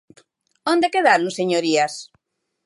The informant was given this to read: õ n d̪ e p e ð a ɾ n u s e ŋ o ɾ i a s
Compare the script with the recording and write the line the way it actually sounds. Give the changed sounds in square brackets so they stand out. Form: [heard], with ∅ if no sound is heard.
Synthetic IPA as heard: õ n d̪ e [k] e ð a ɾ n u s e [ɲ] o ɾ i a s

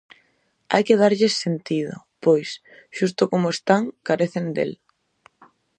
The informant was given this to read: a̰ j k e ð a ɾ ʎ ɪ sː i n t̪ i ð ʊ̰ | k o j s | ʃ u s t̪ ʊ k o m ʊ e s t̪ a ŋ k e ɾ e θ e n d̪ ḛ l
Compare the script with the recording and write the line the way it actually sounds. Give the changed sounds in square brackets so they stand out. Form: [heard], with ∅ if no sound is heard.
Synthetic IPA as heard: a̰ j k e ð a ɾ ʎ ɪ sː [e] n t̪ i ð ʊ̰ | [p] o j s | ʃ u s t̪ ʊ k o m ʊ e s t̪ a ŋ k [a] ɾ e θ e n d̪ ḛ l

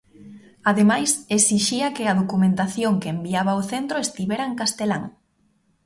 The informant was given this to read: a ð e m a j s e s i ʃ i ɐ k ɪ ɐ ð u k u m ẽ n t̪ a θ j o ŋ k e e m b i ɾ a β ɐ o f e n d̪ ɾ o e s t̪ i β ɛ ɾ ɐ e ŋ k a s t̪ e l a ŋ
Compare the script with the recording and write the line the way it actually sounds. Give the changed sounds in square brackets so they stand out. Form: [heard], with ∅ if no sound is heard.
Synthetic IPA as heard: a ð e m a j s e s i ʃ i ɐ k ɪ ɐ ð [o] k u m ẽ n t̪ a θ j o ŋ k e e m b i [∅] a β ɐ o [θ] e n [t̪] ɾ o e s t̪ i β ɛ ɾ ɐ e ŋ k a s t̪ e l a ŋ

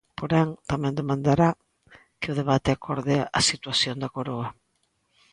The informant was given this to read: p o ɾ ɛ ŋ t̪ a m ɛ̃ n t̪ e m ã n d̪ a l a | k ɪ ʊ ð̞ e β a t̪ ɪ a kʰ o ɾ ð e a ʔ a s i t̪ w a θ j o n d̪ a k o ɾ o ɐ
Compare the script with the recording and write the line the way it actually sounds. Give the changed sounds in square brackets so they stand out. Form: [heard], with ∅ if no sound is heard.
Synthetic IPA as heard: p o ɾ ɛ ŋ t̪ a m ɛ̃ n [d̪] e m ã n d̪ a [ɾ] a | k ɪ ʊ ð̞ e β a t̪ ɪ a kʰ o ɾ ð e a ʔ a s i t̪ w a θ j o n d̪ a k o ɾ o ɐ

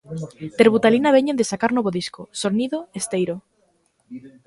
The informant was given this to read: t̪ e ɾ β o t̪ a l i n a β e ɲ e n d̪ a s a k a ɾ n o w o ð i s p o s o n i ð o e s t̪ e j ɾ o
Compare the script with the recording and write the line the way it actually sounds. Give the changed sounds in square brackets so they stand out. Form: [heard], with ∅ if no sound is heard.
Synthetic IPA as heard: t̪ e ɾ β [u] t̪ a l i n a β e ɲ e n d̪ [e] s a k a ɾ n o [β] o ð i s [k] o s o n i ð o e s t̪ e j ɾ o

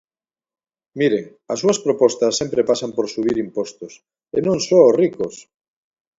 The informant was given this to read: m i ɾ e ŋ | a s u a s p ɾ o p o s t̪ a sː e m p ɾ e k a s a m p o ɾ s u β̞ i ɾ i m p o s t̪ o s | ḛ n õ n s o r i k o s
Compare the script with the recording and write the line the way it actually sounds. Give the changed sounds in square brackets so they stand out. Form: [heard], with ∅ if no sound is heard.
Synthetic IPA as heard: m i ɾ e ŋ | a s u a s p ɾ o p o s t̪ a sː e m p ɾ e [p] a s a m p o ɾ s u β̞ i ɾ i m p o s t̪ o s | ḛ n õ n s o r i k o s

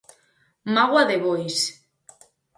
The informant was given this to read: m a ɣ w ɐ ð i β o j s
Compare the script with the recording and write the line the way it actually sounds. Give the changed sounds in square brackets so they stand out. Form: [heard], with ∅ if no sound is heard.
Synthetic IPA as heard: m a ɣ w [a] ð [e] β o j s

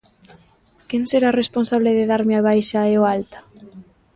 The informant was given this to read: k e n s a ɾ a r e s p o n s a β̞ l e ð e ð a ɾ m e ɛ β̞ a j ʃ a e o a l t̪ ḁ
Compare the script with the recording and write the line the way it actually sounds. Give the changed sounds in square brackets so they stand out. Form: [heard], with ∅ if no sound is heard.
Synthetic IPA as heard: k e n s [e] ɾ a r e s p o n s a β̞ l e ð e ð a ɾ m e [a] β̞ a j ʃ a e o a l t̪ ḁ

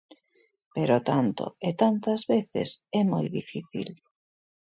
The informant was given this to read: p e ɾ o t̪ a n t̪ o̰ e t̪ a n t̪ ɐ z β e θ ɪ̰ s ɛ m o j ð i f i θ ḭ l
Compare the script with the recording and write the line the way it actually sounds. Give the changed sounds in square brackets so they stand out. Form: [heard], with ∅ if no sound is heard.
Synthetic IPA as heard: p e ɾ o t̪ a n t̪ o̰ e t̪ a n t̪ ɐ z β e θ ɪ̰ s ɛ m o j ð i f i θ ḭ l

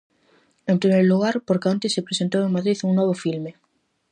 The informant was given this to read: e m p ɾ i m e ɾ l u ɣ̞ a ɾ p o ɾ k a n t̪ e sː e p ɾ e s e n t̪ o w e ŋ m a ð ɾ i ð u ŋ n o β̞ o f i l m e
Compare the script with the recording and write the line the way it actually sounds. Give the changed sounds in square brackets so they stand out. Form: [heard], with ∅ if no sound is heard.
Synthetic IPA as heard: e m p ɾ i m e ɾ l u ɣ̞ a ɾ p o ɾ k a n t̪ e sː e p ɾ e s e n t̪ o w e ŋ m a ð ɾ i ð u ŋ n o β̞ o f i l m e

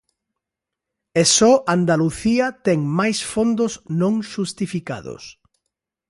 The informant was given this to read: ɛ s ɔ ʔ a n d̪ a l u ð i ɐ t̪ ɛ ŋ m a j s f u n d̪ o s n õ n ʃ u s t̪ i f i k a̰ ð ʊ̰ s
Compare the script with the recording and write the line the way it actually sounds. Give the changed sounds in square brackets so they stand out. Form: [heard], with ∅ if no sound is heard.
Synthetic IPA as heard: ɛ s ɔ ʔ a n d̪ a l u [θ] i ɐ t̪ ɛ ŋ m a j s f [o] n d̪ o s n õ [ŋ] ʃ u s t̪ i f i k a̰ ð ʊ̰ s

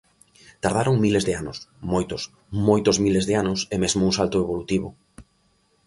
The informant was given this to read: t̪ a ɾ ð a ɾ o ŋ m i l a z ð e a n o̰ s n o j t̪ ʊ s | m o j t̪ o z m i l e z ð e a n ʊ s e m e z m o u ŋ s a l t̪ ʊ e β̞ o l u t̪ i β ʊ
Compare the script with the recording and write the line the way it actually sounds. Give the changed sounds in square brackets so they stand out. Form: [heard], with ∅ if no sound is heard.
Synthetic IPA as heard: t̪ a ɾ ð a ɾ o ŋ m i l [e] z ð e a n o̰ s [m] o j t̪ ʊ s | m o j t̪ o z m i l e z ð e a n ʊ s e m e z m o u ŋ s a l t̪ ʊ e β̞ o l u t̪ i β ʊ

